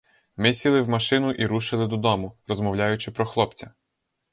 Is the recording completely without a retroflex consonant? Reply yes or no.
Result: yes